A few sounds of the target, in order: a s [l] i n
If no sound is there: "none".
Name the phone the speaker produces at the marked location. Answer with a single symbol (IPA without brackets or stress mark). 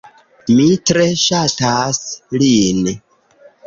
l